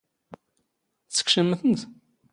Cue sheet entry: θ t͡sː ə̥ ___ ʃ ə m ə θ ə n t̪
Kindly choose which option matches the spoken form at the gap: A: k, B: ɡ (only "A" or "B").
A